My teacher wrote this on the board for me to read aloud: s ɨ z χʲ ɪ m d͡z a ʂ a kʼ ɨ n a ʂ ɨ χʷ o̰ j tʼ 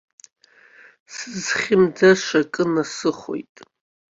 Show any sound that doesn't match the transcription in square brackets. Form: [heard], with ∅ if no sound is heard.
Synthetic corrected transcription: s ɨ z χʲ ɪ m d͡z a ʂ a kʼ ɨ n a [s] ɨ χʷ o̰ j tʼ